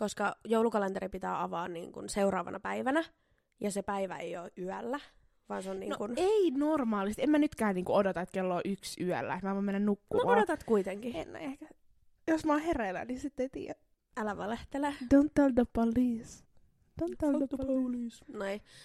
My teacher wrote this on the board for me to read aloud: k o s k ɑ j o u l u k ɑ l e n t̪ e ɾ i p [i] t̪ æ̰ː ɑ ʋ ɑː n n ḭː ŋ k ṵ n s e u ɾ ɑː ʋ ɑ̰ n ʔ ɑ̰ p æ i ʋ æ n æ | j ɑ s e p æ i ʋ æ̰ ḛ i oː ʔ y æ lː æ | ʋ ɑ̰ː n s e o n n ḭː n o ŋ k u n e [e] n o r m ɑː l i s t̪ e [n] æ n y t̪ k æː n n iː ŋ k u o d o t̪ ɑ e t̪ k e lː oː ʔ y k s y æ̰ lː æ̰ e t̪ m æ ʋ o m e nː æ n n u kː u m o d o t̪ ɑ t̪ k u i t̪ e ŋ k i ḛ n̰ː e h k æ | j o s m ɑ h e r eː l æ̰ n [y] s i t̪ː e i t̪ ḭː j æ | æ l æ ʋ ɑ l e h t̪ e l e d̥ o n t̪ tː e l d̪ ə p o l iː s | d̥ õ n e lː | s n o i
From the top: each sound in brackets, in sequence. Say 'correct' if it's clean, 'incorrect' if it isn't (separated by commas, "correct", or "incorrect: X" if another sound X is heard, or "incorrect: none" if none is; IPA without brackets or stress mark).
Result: correct, incorrect: i, incorrect: m, incorrect: i